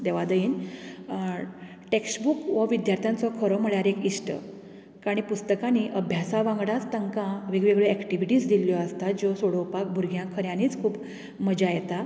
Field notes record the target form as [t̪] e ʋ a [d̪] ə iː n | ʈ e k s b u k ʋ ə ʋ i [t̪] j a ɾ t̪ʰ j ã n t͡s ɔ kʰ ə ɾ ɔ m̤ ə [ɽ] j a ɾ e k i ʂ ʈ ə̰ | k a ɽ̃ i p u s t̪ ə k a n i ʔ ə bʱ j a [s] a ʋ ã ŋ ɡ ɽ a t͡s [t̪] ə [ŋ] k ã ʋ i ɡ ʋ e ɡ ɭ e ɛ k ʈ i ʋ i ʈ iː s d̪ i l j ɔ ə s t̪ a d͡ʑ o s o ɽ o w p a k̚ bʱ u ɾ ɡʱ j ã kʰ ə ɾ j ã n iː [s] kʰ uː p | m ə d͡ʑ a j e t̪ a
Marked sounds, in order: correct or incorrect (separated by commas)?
incorrect, correct, incorrect, incorrect, correct, correct, correct, incorrect